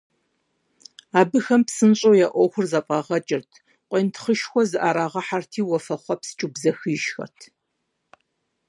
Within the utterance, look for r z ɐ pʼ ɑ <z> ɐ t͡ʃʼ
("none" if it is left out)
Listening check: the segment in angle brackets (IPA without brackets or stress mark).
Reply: ʁ